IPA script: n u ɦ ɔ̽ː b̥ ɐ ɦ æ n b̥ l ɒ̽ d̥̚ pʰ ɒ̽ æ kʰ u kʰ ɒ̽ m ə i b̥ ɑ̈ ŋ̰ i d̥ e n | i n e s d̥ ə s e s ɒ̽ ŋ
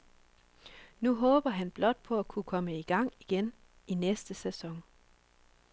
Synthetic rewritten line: n u ɦ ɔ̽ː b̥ ɐ ɦ æ n b̥ l ɒ̽ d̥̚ pʰ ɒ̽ æ kʰ u kʰ ɒ̽ m ə i ɡ̥ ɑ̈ ŋ̰ i ɡ̥ e n | i n e s d̥ ə s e s ɒ̽ ŋ